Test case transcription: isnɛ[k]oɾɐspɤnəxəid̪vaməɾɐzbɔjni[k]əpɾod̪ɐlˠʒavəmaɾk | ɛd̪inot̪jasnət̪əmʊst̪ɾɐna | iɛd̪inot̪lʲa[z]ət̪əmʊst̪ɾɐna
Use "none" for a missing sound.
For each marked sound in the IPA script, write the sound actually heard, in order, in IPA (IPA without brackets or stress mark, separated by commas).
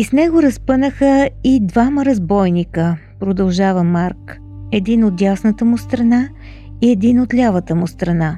ɡ, k, v